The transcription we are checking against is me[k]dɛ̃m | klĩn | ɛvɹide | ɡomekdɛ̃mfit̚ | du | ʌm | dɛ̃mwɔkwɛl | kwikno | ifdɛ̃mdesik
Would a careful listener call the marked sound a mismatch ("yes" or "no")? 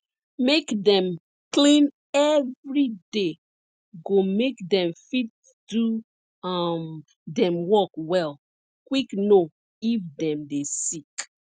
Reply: no